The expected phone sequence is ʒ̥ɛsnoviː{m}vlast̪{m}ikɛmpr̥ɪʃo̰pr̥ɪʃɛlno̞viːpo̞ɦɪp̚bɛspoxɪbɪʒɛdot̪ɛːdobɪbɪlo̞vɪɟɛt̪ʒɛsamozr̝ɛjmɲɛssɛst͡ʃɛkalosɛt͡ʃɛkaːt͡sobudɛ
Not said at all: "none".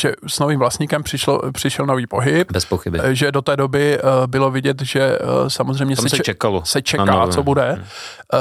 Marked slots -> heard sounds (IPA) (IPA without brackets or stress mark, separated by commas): m, ɲ